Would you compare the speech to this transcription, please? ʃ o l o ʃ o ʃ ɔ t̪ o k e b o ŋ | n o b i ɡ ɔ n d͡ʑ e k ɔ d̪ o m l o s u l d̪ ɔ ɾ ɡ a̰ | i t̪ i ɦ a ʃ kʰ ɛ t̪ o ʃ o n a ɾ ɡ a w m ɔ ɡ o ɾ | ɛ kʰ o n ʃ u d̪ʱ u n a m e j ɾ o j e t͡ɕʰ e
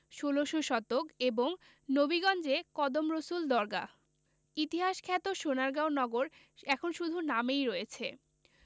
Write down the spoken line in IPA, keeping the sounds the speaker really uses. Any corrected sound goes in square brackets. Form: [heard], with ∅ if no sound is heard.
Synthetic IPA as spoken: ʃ o l o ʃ o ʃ ɔ t̪ o k e b o ŋ | n o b i ɡ ɔ n d͡ʑ e k ɔ d̪ o m [ɾ] o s u l d̪ ɔ ɾ ɡ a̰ | i t̪ i ɦ a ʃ kʰ ɛ t̪ o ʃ o n a ɾ ɡ a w [n] ɔ ɡ o ɾ | ɛ kʰ o n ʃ u d̪ʱ u n a m e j ɾ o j e t͡ɕʰ e